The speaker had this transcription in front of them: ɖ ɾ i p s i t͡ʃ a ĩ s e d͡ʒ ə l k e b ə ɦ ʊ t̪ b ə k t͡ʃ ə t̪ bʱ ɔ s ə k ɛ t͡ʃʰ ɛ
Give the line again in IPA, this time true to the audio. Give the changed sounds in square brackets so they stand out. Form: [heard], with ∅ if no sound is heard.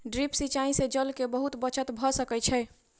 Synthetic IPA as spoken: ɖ ɾ i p s i t͡ʃ a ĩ s e d͡ʒ ə l k e b ə ɦ [u] t̪ b ə [∅] t͡ʃ ə t̪ bʱ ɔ s ə k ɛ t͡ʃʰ ɛ